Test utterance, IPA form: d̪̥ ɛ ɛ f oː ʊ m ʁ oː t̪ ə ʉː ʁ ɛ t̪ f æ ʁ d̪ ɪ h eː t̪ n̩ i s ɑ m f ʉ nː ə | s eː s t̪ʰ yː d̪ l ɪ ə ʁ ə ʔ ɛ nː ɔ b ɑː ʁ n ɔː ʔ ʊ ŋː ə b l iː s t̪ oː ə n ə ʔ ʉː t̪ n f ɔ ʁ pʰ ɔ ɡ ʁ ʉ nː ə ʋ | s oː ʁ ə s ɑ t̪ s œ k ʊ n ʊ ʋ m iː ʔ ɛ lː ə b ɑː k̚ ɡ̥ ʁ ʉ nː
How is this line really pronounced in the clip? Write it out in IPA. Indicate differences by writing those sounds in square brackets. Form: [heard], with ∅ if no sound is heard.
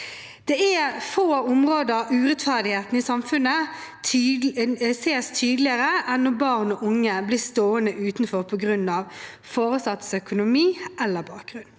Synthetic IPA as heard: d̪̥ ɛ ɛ f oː ʊ m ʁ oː [d̪] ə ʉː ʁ ɛ t̪ f æ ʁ d̪ ɪ h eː t̪ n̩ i s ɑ m f ʉ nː ə | s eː s t̪ʰ yː d̪ l ɪ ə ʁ ə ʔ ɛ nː ɔ b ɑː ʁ n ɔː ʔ ʊ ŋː ə b l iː s t̪ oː ə n ə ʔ ʉː t̪ n f ɔ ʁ pʰ ɔ ɡ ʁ ʉ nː [ɑ] ʋ | [f] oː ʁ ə s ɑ t̪ s œ k ʊ n ʊ [∅] m iː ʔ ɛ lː ə b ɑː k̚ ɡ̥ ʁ ʉ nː

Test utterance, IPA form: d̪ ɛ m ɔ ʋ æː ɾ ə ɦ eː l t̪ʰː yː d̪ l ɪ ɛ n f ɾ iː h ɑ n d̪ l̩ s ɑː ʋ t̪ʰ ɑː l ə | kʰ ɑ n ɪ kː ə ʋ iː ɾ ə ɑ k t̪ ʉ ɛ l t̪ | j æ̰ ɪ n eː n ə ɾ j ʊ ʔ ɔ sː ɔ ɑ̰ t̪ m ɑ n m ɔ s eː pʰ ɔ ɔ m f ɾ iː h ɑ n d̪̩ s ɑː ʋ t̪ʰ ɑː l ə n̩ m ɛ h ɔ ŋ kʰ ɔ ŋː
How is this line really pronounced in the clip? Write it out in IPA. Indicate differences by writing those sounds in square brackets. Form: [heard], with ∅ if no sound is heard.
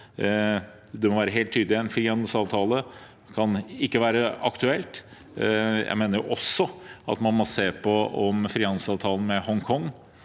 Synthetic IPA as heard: d̪ ɛ m ɔ ʋ æː ɾ ə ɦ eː l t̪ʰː yː d̪ l ɪ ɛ n f ɾ iː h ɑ n d̪ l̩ s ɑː ʋ t̪ʰ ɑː l ə | kʰ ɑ n ɪ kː ə ʋ [æː] ɾ ə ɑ k t̪ ʉ ɛ l t̪ | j æ̰ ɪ [m] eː n ə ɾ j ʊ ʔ ɔ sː ɔ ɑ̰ t̪ m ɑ n m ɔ s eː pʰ ɔ ɔ m f ɾ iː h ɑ n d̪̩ s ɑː ʋ t̪ʰ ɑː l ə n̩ m ɛ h ɔ ŋ kʰ ɔ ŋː

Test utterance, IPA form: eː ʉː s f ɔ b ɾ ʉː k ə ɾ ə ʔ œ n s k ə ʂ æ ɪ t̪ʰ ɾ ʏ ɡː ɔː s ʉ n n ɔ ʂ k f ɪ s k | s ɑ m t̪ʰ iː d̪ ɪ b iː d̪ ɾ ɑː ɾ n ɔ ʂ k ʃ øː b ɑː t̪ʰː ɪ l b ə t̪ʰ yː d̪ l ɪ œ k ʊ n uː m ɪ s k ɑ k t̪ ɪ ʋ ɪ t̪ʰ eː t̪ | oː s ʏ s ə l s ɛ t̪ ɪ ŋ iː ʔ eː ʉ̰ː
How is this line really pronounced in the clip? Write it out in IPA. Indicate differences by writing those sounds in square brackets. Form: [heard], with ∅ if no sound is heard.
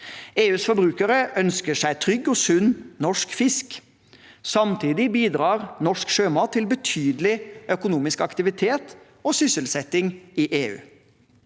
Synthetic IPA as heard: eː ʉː s f ɔ b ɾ ʉː k ə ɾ ə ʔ œ n s k ə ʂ æ ɪ t̪ʰ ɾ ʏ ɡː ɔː s ʉ n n ɔ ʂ k f ɪ s k | s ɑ m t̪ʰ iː d̪ ɪ b iː d̪ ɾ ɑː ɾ n ɔ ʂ k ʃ øː [m] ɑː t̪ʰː ɪ l b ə t̪ʰ yː d̪ l ɪ œ k ʊ n uː m ɪ s k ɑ k t̪ ɪ ʋ ɪ t̪ʰ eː t̪ | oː s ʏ s ə l s ɛ t̪ ɪ ŋ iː ʔ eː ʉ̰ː

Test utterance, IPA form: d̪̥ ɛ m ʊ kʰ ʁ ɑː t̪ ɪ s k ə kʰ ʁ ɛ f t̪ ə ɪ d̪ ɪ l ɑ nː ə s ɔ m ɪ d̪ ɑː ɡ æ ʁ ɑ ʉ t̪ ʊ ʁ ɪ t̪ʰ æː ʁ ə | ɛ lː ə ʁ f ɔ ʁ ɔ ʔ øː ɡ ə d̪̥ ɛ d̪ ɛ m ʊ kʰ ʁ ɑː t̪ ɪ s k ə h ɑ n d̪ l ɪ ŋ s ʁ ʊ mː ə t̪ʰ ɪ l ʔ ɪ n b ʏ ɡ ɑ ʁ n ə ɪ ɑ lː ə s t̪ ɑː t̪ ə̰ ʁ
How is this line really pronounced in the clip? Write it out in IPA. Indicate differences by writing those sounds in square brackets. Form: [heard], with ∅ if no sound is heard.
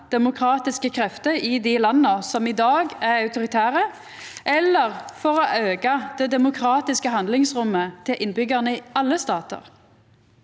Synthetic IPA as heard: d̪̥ ɛ m ʊ kʰ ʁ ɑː t̪ ɪ s k ə kʰ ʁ ɛ f t̪ ə ɪ d̪ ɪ l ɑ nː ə s ɔ m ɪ d̪ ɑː ɡ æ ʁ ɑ ʉ t̪ ʊ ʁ ɪ t̪ʰ æː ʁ ə | ɛ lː ə ʁ f ɔ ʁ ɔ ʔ øː ɡ [ɑ] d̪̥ ɛ d̪ ɛ m ʊ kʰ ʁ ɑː t̪ ɪ s k ə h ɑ n d̪ l ɪ ŋ s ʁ ʊ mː ə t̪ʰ ɪ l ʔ ɪ n b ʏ ɡ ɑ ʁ n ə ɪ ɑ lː ə s t̪ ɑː t̪ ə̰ ʁ

